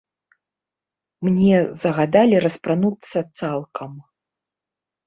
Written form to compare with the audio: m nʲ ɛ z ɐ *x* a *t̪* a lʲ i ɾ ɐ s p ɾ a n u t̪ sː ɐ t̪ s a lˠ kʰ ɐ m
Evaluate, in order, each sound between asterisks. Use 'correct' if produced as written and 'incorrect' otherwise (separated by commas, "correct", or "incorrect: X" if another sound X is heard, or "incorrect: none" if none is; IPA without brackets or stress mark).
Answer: incorrect: ɣ, incorrect: d̪